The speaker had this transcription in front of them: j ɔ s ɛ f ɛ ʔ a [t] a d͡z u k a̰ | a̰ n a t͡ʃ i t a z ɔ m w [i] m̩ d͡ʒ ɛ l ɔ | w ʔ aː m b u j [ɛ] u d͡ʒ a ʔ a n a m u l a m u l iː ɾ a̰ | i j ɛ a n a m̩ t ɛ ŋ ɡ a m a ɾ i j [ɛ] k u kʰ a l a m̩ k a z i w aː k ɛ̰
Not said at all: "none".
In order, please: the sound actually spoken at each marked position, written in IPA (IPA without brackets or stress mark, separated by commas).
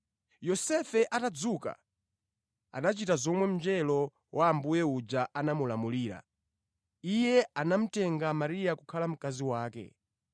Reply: t, ɛ, ɛ, a